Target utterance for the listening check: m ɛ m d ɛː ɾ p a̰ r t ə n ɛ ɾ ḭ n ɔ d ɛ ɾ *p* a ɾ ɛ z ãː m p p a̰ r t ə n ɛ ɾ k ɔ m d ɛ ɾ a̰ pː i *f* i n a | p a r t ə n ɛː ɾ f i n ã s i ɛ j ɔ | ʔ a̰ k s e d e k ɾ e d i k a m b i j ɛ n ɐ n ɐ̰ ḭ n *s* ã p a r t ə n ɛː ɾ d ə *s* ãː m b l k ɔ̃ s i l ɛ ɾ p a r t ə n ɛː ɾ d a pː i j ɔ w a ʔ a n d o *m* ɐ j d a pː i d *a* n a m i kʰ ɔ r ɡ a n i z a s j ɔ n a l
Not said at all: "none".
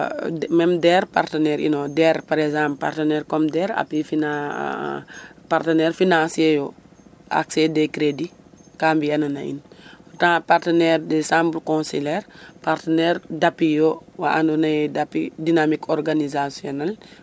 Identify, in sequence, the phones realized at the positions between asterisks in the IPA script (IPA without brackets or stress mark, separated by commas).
p, f, t, s, n, i